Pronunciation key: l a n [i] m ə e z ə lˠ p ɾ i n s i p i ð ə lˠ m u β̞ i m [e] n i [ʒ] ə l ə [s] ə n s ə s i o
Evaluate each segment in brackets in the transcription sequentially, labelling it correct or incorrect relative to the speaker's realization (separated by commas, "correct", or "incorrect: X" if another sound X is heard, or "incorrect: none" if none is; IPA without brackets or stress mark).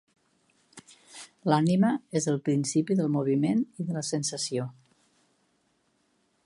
correct, correct, incorrect: ð, correct